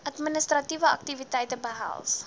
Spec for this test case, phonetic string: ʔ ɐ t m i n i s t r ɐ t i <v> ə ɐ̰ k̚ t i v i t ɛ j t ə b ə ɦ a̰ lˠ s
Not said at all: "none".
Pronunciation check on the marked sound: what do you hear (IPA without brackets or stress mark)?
v